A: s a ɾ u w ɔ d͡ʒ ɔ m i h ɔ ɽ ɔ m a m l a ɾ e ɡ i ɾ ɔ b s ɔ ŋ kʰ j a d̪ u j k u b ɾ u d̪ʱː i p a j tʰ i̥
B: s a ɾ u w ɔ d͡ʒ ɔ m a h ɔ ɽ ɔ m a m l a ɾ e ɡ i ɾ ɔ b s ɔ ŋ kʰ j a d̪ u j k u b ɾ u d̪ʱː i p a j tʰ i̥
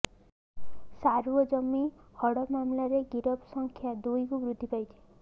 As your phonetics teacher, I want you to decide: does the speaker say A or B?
A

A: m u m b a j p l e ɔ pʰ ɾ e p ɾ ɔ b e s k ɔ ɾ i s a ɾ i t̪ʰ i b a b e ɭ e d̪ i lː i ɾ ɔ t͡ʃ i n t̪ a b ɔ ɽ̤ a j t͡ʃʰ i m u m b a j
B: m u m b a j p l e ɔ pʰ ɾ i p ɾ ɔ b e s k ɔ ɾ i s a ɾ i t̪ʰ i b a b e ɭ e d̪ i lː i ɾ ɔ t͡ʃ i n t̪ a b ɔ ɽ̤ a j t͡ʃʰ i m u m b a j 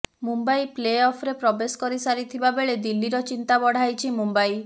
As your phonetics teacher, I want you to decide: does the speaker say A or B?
A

